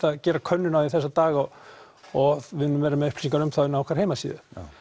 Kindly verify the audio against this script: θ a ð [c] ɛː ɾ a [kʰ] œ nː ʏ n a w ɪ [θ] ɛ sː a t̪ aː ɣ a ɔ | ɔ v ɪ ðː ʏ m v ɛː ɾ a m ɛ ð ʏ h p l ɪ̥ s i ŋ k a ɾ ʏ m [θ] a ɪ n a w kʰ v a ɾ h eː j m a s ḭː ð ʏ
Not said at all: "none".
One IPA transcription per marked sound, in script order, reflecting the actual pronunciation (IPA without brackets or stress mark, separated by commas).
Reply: c, kʰ, θ, θ